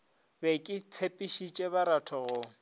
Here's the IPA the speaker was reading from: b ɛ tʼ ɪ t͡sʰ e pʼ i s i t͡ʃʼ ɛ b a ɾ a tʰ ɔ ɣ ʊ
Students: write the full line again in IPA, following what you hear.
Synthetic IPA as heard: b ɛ kʼ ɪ t͡sʰ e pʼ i ʃ i t͡ʃʼ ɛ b a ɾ a tʰ ɔ ɣ ʊ